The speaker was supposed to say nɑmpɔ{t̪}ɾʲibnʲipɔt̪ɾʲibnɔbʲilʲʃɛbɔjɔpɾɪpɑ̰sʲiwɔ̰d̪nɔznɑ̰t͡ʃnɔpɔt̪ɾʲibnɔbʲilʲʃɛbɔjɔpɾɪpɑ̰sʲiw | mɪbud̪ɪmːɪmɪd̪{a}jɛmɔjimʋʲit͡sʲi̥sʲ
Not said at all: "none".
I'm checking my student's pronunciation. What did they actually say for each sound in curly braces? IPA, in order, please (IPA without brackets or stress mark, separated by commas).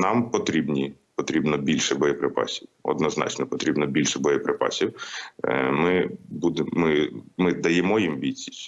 t̪, ɐ